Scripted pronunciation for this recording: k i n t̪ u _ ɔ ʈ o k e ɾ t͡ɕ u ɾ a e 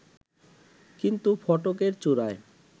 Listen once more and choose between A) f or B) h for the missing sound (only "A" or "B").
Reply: A